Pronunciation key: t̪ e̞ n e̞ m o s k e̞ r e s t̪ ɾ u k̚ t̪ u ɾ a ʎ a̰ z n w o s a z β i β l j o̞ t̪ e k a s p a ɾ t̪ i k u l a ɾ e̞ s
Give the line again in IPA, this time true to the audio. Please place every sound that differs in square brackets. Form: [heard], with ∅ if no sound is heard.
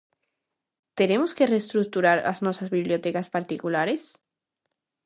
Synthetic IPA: t̪ e̞ n e̞ m o s k e̞ r e s t̪ ɾ u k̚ t̪ u ɾ a [ɾ] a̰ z n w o s a z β i β l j o̞ t̪ e k a s p a ɾ t̪ i k u l a ɾ e̞ s